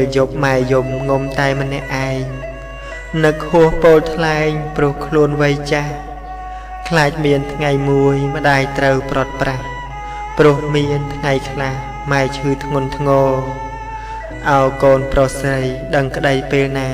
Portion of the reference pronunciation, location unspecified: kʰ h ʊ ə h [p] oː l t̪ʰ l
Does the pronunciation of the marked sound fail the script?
no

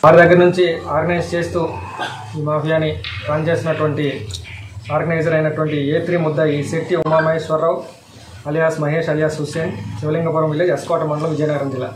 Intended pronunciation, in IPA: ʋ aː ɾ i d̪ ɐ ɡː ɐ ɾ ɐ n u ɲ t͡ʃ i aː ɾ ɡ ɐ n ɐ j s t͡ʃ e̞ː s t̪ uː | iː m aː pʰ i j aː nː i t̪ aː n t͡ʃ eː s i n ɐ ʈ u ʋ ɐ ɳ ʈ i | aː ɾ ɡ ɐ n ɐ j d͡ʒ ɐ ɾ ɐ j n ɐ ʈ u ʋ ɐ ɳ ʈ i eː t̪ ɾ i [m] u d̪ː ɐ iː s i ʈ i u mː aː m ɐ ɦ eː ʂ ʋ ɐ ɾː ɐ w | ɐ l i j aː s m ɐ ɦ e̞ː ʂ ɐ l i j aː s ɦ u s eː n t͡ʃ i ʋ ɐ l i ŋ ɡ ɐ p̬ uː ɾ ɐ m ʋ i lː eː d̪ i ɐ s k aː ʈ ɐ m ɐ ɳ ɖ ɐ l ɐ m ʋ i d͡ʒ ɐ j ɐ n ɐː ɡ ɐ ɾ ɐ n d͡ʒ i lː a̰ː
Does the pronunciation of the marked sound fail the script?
no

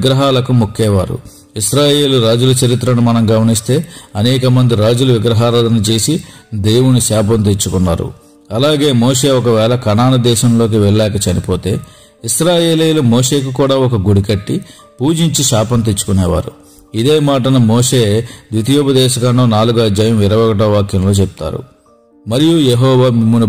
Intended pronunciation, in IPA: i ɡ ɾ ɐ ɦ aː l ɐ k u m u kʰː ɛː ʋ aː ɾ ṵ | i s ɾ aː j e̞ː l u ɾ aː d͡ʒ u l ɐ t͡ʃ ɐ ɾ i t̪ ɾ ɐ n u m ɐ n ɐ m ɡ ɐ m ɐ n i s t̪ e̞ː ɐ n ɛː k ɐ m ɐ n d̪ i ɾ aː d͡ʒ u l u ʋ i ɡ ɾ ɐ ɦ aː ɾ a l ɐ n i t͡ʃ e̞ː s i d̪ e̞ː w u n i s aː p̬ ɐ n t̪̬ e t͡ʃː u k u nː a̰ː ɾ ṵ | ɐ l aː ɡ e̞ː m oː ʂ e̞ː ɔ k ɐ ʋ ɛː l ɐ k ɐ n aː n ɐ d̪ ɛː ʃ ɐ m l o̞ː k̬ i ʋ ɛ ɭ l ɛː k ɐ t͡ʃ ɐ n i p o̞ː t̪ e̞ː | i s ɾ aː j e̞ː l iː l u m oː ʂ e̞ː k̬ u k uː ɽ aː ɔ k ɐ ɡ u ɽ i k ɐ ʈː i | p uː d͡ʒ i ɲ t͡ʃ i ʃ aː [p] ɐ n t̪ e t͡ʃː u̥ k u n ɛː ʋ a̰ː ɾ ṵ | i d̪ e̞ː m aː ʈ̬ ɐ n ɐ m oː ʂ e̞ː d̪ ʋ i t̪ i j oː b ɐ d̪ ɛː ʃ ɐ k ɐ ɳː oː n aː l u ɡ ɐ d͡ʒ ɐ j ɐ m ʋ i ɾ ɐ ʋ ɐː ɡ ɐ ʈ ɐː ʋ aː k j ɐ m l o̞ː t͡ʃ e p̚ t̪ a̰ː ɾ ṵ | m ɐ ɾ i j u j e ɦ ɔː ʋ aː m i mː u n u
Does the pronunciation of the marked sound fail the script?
no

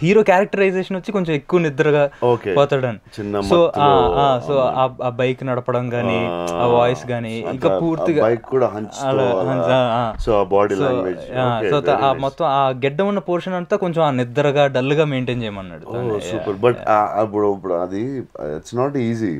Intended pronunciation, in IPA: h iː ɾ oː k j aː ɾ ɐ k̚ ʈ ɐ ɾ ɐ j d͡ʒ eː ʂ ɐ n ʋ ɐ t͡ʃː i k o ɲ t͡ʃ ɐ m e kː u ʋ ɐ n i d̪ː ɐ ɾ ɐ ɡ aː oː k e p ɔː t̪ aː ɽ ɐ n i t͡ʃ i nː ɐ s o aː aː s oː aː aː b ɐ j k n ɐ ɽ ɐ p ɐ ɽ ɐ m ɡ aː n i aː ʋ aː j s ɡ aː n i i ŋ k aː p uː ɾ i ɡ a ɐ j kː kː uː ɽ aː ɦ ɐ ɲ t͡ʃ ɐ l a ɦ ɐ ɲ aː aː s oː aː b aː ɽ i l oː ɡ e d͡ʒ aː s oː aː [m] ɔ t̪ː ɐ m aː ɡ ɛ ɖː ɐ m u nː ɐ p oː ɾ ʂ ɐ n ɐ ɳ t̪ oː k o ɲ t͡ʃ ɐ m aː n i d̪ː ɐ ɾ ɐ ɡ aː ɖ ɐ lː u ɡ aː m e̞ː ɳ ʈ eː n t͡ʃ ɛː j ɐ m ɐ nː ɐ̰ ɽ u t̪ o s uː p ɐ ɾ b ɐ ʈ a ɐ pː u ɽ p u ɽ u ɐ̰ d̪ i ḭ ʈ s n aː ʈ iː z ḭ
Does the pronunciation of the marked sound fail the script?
no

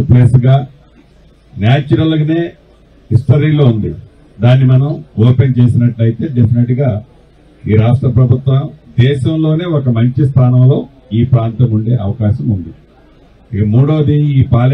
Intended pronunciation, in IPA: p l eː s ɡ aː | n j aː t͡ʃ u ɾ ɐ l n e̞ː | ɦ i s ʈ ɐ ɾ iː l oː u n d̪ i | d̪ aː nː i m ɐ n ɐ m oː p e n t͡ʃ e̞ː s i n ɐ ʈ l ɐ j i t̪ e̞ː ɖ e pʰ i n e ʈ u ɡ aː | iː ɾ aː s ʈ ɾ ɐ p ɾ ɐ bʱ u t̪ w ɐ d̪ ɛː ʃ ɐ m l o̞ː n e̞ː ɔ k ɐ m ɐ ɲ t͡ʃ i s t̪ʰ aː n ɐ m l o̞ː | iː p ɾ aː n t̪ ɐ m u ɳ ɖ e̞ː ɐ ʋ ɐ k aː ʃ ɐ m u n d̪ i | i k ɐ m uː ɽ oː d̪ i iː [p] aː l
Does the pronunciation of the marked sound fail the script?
no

